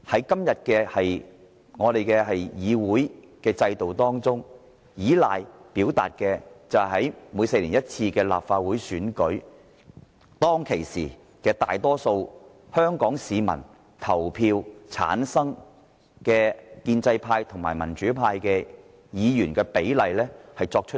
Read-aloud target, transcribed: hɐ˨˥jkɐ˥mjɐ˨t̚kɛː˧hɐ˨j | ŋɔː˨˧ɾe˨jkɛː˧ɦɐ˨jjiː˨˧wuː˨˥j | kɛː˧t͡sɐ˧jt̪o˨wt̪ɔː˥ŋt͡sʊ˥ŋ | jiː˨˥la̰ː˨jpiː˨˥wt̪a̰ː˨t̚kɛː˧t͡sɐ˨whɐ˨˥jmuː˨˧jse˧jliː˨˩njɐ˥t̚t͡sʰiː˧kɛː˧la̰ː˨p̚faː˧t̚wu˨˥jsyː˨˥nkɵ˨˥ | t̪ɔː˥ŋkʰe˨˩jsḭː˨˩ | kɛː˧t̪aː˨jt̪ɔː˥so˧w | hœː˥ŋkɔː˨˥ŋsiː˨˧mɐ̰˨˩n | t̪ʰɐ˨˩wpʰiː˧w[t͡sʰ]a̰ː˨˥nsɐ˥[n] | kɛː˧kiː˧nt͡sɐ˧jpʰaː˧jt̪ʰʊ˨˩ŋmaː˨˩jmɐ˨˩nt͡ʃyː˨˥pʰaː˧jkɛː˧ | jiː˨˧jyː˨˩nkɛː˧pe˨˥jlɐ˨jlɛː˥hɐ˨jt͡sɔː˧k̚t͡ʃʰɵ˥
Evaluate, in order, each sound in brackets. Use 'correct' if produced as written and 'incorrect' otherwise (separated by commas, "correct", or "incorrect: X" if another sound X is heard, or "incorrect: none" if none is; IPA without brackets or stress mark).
correct, incorrect: ŋ